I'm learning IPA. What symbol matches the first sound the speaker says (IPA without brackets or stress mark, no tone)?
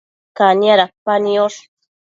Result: k